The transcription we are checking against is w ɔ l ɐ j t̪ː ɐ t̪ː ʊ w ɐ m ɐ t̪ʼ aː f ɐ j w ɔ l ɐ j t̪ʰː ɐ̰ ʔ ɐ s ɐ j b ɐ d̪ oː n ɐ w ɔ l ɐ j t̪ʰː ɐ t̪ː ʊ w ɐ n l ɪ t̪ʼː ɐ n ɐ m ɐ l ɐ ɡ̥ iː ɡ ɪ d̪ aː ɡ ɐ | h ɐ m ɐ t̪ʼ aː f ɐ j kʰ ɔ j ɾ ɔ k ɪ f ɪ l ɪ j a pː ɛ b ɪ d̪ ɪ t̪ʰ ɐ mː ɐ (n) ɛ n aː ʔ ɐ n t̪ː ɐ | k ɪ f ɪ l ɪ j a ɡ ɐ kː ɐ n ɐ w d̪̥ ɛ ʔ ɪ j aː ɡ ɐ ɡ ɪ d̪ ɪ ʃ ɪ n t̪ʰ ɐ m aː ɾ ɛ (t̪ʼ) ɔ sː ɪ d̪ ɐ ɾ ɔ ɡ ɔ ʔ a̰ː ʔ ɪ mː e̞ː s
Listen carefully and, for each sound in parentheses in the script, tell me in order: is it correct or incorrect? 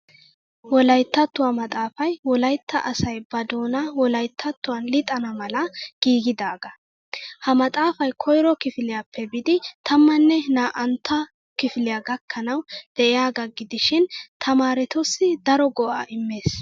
incorrect: nː, incorrect: t̪

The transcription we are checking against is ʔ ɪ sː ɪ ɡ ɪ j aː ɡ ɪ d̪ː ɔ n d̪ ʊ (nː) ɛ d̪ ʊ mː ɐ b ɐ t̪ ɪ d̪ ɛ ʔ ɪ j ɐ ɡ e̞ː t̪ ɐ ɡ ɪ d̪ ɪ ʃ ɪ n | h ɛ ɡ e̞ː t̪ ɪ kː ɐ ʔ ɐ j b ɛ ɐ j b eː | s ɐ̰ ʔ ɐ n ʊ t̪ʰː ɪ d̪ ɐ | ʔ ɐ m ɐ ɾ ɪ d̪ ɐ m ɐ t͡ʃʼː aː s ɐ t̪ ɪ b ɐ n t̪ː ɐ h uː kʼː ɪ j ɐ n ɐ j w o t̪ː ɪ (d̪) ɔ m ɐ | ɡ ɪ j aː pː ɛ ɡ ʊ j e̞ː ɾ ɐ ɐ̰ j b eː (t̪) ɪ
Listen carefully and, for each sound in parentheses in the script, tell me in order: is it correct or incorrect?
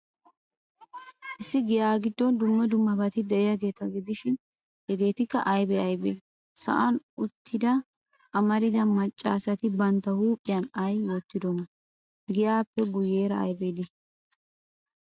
incorrect: mː, correct, incorrect: d̪

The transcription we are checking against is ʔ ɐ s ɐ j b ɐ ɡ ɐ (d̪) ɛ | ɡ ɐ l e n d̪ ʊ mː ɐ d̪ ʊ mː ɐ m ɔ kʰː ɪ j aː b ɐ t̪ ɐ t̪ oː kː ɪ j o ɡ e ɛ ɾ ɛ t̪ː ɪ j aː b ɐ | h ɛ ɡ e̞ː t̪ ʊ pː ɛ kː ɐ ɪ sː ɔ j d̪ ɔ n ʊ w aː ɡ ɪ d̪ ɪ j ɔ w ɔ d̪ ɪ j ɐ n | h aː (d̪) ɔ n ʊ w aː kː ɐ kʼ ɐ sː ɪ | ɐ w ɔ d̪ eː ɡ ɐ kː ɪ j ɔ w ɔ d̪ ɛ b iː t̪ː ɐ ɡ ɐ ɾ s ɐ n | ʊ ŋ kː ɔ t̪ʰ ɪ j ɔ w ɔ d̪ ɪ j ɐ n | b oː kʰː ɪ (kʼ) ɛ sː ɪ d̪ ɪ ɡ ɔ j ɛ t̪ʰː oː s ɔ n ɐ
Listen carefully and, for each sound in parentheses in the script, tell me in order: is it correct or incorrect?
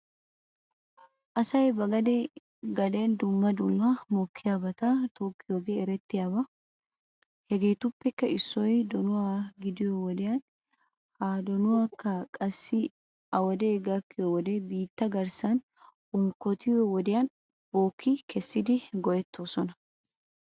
correct, correct, incorrect: k

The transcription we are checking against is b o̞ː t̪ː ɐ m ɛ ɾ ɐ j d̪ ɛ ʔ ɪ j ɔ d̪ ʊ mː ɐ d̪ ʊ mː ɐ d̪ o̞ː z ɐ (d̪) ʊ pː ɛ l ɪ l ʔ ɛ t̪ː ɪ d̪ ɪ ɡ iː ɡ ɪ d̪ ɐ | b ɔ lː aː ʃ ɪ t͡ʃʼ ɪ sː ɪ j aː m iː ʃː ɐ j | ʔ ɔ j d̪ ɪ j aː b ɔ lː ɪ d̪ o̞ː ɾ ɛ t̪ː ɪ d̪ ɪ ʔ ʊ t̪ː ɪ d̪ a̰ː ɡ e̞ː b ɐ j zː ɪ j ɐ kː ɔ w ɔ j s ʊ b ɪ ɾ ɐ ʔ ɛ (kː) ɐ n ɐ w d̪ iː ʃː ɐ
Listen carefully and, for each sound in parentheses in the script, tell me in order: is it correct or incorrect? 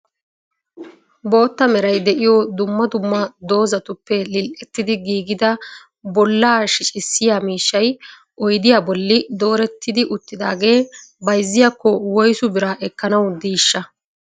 incorrect: t̪, correct

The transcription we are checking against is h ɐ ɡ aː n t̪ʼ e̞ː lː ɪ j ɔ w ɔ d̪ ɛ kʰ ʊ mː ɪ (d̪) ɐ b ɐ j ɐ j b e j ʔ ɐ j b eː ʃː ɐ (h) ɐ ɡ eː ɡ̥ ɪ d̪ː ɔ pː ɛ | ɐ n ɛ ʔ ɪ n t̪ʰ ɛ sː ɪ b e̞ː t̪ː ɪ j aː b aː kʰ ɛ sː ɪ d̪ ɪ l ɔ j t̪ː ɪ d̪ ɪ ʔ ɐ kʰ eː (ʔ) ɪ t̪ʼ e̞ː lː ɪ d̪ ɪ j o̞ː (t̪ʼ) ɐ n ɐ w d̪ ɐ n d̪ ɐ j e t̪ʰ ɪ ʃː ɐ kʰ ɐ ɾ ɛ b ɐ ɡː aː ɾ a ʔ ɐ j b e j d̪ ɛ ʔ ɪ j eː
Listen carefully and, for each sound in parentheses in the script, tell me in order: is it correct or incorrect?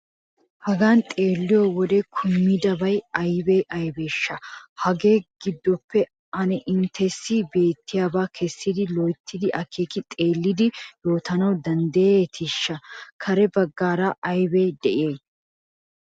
correct, correct, incorrect: k, incorrect: t̪

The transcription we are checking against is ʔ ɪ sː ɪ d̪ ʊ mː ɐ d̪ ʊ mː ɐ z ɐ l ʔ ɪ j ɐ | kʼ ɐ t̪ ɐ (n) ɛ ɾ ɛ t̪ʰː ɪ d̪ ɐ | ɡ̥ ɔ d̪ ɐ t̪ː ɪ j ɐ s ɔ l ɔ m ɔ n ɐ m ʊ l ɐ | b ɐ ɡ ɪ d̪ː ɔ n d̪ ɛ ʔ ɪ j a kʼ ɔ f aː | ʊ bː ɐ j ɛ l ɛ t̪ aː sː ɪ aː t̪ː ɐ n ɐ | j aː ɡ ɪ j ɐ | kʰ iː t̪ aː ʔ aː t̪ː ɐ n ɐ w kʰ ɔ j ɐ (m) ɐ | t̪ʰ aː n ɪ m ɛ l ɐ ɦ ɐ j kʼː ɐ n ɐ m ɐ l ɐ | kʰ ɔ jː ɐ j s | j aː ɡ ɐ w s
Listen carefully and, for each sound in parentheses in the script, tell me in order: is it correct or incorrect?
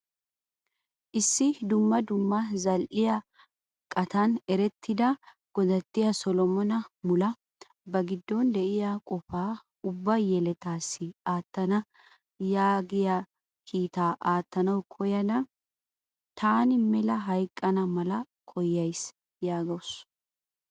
correct, incorrect: n

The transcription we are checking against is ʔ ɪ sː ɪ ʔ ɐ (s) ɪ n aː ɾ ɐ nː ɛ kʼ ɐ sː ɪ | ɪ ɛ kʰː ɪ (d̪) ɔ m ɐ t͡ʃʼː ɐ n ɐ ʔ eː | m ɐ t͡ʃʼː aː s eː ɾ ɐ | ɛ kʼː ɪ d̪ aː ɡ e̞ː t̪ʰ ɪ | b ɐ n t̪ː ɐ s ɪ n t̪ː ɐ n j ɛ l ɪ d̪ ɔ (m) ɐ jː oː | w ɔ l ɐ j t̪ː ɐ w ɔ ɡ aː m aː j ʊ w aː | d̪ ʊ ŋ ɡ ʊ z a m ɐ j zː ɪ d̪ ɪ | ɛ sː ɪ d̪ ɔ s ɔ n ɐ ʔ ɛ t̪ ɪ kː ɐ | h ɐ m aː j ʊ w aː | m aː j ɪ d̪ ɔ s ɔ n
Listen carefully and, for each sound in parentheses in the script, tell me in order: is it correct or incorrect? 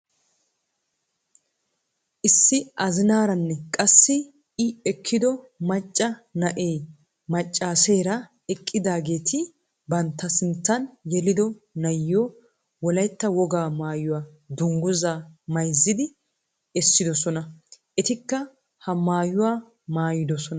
incorrect: z, correct, incorrect: n

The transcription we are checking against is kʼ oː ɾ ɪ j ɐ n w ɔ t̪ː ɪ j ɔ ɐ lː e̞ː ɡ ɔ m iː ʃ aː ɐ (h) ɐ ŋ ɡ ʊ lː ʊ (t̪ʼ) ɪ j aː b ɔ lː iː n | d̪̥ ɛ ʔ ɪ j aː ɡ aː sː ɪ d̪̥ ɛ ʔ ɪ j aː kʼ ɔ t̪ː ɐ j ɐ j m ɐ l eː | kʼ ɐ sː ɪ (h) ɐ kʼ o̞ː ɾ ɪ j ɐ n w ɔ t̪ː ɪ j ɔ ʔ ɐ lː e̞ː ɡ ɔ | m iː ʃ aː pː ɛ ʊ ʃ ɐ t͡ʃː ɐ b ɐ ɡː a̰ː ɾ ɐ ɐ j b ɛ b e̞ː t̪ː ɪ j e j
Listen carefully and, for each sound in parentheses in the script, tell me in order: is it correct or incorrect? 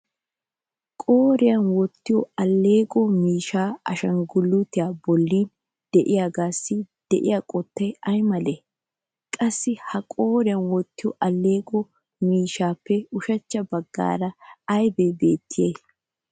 incorrect: ʃ, incorrect: t̪, correct

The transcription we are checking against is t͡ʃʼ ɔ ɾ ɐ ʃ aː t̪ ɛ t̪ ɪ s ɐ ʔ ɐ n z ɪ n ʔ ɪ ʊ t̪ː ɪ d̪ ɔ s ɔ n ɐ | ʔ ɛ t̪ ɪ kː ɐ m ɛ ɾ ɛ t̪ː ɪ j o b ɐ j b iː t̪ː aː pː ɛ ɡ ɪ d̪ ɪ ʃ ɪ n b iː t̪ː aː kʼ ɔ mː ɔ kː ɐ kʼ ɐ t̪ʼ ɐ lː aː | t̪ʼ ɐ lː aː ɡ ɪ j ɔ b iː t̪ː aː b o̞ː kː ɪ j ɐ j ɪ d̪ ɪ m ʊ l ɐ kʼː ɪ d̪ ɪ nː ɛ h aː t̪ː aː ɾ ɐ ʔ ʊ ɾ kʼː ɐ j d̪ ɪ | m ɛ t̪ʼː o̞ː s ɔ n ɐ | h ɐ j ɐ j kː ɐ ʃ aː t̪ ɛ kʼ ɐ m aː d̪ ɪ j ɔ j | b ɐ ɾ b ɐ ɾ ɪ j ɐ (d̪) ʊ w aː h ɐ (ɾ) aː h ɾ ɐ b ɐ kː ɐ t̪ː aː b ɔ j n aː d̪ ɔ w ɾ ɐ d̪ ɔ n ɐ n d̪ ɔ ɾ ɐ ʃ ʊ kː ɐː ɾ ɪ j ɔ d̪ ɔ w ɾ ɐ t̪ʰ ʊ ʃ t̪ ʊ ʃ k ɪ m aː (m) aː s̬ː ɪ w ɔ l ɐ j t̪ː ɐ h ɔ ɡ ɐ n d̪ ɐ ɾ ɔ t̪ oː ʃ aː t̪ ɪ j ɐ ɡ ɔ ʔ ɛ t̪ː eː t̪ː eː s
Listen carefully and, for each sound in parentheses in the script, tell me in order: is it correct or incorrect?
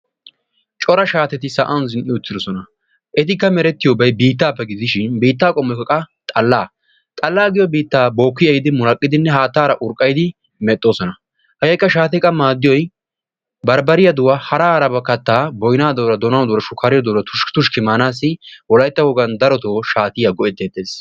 correct, correct, incorrect: n

